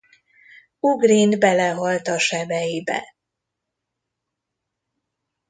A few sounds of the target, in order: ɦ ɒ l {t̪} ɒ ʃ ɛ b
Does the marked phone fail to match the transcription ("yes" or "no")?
no